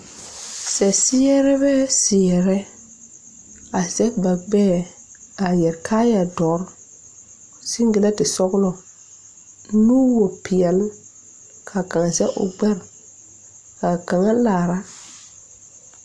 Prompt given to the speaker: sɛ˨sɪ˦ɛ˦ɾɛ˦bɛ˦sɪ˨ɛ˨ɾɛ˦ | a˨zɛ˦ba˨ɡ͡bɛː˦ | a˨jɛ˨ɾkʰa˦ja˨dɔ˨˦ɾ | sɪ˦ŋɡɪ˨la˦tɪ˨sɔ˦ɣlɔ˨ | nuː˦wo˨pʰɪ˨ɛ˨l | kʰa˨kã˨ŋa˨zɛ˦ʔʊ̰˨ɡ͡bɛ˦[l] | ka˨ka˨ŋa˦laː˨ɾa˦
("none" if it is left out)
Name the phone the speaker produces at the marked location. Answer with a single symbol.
ɾ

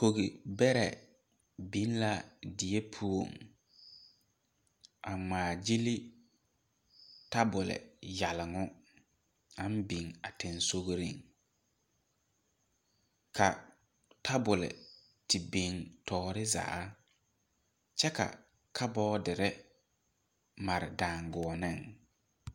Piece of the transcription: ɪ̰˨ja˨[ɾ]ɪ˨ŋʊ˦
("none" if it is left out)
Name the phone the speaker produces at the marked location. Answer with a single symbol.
l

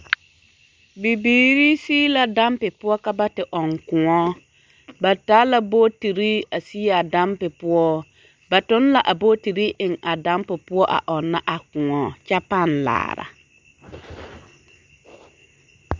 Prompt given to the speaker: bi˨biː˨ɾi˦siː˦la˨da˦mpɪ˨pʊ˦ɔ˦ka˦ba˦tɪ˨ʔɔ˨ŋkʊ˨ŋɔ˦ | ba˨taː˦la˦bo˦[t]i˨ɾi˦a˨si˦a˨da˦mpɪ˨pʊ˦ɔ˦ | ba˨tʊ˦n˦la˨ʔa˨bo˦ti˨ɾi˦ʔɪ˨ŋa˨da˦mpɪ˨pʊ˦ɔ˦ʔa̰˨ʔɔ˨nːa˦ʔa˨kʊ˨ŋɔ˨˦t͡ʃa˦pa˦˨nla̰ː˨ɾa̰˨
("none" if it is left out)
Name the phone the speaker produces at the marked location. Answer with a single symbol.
t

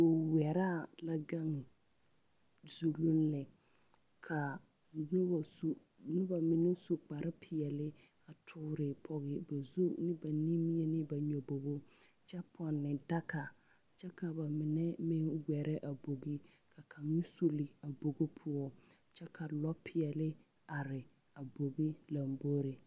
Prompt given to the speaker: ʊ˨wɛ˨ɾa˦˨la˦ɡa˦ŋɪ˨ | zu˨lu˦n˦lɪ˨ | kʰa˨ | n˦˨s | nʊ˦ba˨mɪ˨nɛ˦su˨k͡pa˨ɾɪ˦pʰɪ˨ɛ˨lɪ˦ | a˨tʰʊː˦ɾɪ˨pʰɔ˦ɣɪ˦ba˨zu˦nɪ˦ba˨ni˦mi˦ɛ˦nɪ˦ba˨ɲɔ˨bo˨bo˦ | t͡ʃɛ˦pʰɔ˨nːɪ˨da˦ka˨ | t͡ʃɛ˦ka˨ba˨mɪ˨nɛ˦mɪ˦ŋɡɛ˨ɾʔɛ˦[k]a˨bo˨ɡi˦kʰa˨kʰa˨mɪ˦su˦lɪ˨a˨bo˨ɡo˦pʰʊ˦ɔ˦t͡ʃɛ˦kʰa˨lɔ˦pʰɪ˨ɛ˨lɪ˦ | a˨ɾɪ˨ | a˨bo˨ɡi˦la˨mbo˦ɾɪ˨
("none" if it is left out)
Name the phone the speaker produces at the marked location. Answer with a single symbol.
ʔ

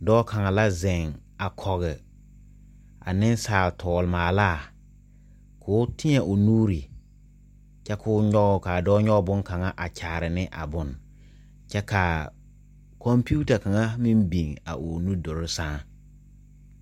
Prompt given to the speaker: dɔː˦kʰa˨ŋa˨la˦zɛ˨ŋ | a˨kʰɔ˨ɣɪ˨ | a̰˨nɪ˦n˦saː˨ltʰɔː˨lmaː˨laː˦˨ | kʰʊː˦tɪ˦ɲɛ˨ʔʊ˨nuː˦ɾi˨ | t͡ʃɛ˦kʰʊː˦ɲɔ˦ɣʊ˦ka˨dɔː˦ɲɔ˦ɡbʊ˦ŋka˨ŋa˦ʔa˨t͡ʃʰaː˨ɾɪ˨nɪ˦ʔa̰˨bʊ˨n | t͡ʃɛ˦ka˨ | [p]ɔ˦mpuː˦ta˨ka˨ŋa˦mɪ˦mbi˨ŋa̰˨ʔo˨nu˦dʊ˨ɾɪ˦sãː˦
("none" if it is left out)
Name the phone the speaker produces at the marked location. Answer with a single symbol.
k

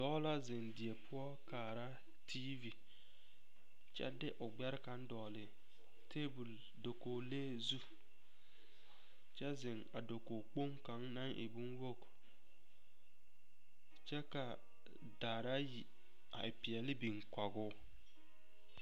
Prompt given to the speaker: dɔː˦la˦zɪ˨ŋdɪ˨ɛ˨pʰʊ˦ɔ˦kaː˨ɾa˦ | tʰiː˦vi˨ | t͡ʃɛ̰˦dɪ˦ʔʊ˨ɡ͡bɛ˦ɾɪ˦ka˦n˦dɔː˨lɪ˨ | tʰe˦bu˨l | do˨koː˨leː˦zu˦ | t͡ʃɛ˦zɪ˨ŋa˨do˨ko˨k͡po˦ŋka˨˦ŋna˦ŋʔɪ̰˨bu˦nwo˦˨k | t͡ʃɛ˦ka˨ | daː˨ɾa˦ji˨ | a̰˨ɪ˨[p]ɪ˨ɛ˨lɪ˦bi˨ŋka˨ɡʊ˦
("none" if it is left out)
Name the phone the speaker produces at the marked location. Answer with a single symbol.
p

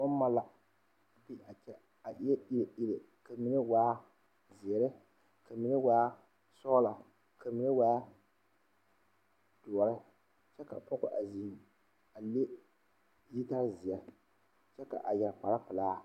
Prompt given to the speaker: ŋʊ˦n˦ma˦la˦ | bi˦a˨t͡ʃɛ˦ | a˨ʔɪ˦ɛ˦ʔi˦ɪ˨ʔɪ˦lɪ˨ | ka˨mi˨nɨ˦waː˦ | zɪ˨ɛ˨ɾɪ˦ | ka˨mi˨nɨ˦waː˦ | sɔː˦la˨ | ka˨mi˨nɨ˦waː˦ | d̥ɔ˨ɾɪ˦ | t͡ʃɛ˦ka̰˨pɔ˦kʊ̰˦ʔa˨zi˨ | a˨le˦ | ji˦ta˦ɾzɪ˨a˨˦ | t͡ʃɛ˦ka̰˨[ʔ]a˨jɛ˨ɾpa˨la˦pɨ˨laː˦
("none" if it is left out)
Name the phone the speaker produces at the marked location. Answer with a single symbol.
ʔ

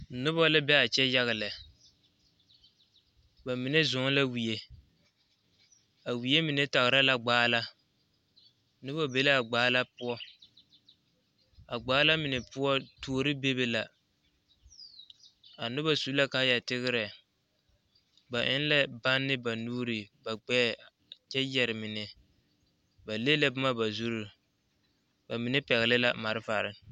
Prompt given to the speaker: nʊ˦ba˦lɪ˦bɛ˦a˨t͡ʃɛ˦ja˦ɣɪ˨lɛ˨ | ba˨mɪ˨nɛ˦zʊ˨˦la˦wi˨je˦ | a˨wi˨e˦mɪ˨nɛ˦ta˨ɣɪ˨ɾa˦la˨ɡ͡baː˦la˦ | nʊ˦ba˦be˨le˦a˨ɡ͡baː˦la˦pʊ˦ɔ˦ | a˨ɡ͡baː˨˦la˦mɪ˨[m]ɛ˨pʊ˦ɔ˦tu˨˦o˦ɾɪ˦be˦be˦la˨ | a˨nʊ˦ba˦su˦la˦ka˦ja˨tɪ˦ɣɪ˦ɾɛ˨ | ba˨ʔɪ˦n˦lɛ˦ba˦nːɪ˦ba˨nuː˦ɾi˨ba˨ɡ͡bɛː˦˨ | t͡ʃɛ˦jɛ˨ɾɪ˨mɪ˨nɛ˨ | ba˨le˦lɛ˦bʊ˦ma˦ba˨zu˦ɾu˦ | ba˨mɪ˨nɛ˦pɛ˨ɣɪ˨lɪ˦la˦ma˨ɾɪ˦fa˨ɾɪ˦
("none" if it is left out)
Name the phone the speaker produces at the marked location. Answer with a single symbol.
n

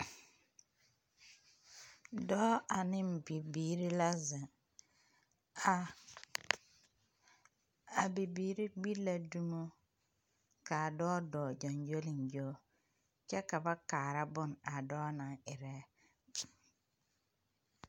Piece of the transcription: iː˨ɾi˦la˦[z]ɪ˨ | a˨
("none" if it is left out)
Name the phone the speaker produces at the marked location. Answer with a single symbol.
z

